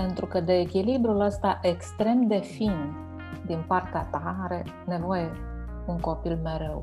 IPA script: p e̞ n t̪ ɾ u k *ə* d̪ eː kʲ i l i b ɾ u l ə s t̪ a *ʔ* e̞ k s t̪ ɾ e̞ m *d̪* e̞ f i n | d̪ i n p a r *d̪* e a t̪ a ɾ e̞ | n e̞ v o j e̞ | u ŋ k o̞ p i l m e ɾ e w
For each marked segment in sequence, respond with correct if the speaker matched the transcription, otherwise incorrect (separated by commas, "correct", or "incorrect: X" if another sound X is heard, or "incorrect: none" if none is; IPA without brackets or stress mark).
correct, correct, correct, incorrect: t̪